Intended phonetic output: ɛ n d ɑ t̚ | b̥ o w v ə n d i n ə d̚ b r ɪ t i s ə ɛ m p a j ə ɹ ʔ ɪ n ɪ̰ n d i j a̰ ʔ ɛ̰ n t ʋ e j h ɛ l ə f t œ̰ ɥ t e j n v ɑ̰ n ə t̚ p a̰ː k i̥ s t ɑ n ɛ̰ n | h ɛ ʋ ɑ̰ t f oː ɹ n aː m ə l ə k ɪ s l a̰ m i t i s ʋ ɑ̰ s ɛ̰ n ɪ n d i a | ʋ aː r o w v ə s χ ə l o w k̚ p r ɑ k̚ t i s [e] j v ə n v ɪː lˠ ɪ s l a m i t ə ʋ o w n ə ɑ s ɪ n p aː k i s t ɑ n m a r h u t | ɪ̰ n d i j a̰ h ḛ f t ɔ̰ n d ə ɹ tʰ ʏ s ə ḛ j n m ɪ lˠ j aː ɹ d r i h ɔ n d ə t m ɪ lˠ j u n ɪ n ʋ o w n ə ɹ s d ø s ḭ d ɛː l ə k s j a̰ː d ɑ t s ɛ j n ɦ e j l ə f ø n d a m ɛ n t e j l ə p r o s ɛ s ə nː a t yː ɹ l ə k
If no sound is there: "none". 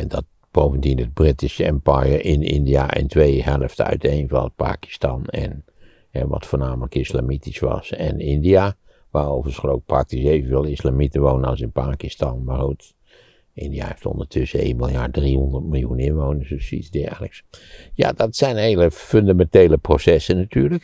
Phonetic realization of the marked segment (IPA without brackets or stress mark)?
e